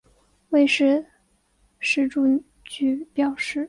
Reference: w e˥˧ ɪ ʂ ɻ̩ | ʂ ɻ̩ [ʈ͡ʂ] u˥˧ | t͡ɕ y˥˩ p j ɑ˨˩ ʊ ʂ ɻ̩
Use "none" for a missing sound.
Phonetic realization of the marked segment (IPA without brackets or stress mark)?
ʈ͡ʂ